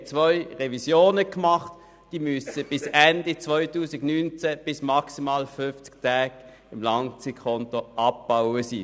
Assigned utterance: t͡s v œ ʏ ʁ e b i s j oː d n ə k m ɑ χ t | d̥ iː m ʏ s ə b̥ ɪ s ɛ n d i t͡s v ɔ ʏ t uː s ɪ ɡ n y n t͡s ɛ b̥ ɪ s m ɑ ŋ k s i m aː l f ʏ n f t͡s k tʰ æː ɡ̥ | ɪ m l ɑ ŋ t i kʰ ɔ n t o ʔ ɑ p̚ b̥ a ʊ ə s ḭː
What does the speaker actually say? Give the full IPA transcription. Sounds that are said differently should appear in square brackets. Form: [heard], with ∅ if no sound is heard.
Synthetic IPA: t͡s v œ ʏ ʁ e [v] i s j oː [∅] n ə k m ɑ χ t | d̥ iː m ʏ s ə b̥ ɪ s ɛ n d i t͡s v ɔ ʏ t uː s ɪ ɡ n y n t͡s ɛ b̥ ɪ s m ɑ [∅] k s i m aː l f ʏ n f t͡s k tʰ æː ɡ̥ | ɪ m l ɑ ŋ [t͡s] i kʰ ɔ n t o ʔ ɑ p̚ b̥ a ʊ ə s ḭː